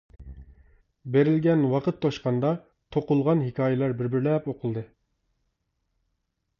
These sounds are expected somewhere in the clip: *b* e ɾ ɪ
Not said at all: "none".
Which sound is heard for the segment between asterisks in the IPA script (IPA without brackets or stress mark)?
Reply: b